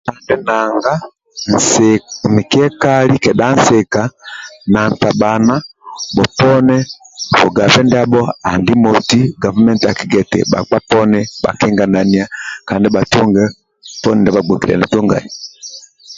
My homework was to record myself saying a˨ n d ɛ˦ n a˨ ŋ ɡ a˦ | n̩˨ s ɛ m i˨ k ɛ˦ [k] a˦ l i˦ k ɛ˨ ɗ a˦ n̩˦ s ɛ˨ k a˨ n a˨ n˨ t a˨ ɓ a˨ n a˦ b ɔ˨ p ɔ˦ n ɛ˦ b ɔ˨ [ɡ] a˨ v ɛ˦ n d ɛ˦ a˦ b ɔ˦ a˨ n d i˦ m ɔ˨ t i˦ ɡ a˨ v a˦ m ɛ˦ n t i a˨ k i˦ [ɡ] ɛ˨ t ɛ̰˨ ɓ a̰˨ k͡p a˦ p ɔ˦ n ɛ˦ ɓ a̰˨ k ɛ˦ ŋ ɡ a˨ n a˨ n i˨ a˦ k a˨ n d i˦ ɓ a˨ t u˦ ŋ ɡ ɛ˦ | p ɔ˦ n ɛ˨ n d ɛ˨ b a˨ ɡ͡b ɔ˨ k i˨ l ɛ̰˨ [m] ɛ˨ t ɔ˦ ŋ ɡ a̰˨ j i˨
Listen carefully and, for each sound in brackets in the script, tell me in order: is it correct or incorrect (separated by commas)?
correct, correct, correct, incorrect